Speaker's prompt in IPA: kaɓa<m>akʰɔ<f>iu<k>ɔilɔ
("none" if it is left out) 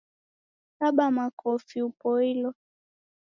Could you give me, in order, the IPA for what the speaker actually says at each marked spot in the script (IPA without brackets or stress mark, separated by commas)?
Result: m, f, p